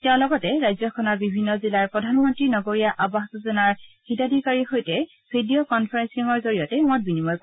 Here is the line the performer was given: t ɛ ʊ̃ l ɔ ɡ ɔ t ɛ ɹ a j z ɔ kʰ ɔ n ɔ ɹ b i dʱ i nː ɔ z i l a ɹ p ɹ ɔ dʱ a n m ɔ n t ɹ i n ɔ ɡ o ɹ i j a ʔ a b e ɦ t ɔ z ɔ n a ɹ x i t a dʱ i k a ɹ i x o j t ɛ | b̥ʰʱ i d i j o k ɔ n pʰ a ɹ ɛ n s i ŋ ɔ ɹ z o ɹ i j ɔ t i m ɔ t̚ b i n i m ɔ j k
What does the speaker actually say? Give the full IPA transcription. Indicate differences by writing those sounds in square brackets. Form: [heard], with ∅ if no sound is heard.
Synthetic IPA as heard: t ɛ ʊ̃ l ɔ ɡ ɔ t ɛ ɹ a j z ɔ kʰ ɔ n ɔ ɹ b i [bʱ] i nː ɔ z i l a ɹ p ɹ ɔ dʱ a n m ɔ n t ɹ i n ɔ ɡ o ɹ i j a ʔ a b [a] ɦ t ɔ z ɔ n a ɹ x i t a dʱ i k a ɹ i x o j t ɛ | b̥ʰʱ i d i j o k ɔ n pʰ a ɹ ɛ n s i ŋ ɔ ɹ z o ɹ i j ɔ t [ɛ] m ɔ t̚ b i n i m ɔ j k